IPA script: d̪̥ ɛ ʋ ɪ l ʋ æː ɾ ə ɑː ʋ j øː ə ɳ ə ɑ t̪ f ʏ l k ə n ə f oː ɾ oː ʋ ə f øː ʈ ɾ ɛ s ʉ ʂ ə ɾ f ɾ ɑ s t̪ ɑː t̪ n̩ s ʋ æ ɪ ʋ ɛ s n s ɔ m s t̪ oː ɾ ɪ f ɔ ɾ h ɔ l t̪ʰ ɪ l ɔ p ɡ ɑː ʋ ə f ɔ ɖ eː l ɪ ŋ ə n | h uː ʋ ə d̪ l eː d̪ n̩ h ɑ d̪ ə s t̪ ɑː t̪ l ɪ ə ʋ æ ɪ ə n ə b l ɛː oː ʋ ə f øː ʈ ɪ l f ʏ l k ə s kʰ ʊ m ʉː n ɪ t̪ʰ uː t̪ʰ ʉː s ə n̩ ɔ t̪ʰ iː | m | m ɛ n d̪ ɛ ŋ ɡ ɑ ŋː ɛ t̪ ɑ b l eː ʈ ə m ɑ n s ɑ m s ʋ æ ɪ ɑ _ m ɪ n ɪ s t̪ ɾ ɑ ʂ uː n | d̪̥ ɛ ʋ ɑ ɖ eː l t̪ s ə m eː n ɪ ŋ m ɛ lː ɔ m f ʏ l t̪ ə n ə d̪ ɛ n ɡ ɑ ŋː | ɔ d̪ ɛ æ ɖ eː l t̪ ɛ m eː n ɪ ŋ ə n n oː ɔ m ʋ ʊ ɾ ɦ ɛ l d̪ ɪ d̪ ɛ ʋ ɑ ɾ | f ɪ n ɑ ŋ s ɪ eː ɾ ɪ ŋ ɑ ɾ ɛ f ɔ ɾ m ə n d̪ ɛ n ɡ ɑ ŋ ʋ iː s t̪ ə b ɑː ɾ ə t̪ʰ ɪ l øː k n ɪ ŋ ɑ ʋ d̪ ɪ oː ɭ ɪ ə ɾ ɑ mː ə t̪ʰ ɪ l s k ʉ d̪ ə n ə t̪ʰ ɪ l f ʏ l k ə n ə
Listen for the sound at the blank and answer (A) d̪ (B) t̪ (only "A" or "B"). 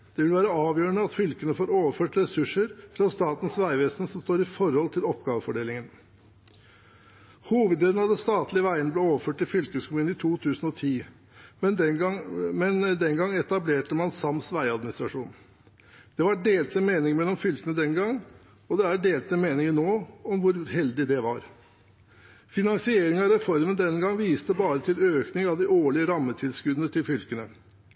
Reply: A